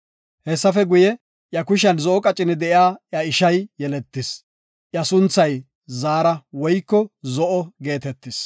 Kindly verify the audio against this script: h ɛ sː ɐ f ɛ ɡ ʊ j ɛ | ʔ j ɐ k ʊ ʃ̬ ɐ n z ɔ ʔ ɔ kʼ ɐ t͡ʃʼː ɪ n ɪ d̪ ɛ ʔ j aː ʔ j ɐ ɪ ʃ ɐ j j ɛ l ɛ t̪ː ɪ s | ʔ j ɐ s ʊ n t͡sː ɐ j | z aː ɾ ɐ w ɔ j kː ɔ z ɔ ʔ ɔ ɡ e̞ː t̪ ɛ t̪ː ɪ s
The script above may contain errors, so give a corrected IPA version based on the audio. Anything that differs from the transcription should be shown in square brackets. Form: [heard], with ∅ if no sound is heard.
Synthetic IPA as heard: h ɛ sː ɐ f ɛ ɡ ʊ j ɛ | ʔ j ɐ k ʊ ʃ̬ ɐ n z ɔ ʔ ɔ kʼ ɐ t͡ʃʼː ɪ n ɪ d̪ ɛ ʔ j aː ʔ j ɐ ɪ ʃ ɐ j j ɛ l ɛ t̪ː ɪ s | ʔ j ɐ s ʊ n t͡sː ɐ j | z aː ɾ ɐ w ɔ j kː ɔ z ɔ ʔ ɔ ɡ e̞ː t̪ ɛ t̪ː ɪ s